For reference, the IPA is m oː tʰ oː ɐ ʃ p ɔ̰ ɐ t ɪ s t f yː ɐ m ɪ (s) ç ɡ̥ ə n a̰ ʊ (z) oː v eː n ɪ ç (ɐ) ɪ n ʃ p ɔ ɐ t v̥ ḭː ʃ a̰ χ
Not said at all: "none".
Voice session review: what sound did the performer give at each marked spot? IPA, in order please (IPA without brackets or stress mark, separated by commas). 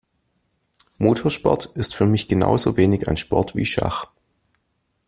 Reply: none, z, a